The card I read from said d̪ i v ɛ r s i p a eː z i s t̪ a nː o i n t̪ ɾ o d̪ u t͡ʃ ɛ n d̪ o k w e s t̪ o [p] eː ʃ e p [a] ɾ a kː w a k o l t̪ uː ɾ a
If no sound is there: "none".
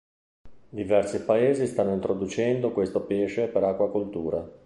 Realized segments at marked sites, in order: p, e

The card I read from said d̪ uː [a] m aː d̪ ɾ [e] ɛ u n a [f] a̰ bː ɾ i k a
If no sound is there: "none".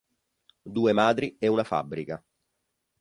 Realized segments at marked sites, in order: e, i, f

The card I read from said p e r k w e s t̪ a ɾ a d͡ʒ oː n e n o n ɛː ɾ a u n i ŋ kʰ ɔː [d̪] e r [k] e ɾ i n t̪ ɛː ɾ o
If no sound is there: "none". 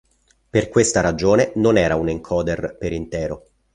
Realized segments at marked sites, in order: d̪, p

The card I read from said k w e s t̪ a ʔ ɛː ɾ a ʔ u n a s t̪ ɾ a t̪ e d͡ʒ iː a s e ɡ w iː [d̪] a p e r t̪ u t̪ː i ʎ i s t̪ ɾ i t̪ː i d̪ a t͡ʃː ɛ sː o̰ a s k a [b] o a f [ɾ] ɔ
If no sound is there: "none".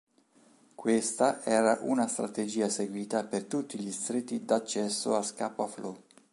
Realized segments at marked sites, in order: t̪, p, l

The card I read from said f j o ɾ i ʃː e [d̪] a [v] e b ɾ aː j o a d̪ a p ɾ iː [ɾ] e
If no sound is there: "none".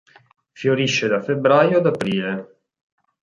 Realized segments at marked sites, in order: d̪, f, l

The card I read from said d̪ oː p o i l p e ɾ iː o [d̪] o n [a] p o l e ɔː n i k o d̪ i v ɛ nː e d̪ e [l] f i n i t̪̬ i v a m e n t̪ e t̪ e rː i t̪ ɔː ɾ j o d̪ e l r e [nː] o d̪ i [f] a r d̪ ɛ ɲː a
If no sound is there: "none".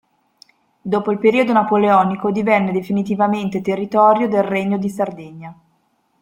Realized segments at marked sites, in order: d̪, a, none, ɲː, s

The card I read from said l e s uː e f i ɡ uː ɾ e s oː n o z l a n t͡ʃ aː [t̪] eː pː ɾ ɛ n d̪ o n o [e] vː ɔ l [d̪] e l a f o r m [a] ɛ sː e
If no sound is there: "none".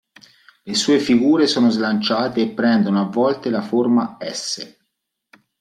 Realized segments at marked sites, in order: t̪, a, t̪, a

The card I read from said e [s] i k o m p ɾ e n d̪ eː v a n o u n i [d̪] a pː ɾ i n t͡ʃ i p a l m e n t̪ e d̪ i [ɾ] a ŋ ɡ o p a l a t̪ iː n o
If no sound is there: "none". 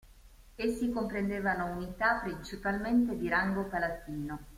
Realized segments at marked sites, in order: sː, t̪, ɾ

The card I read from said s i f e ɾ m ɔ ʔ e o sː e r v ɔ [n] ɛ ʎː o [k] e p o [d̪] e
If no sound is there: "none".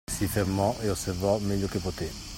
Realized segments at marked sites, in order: m, k, t̪

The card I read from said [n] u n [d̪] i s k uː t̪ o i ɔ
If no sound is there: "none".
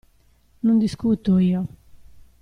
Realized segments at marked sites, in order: n, d̪

